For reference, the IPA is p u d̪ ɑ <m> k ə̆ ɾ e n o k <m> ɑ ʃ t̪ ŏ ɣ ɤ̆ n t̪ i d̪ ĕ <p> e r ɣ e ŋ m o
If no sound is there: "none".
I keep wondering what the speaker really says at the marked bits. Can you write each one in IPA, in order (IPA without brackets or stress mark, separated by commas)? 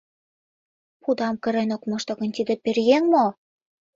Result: m, m, p